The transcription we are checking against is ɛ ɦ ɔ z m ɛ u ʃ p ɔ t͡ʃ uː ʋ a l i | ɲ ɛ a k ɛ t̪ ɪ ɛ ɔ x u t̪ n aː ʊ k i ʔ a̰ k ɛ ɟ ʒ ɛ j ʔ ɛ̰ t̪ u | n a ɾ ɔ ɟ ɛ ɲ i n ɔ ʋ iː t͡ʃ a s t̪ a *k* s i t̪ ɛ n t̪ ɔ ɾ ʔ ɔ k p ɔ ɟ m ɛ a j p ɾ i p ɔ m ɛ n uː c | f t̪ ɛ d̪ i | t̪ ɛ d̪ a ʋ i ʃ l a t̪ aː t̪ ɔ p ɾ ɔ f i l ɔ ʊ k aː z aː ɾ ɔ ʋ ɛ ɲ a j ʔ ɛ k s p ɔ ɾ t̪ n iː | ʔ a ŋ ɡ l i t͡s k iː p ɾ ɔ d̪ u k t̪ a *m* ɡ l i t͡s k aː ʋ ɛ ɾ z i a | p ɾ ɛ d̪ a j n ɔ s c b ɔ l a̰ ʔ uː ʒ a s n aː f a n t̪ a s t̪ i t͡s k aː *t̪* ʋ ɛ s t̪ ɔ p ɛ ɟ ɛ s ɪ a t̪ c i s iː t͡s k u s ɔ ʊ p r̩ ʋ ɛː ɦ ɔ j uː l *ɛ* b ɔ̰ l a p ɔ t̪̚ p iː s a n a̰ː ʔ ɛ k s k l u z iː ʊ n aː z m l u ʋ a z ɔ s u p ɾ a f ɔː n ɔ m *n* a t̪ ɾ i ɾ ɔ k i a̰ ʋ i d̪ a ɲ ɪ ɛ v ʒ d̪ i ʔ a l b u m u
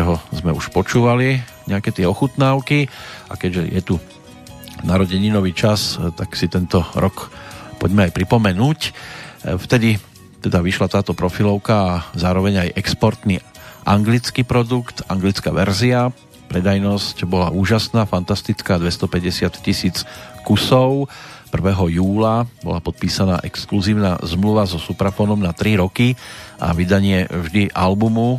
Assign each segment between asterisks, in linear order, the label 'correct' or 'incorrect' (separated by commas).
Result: correct, incorrect, incorrect, incorrect, correct